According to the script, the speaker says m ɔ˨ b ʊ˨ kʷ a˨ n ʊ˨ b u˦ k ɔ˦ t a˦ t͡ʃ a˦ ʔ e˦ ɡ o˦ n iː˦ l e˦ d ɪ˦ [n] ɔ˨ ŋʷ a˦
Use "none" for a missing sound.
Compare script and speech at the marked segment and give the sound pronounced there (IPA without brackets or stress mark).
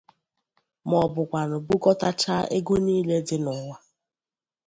n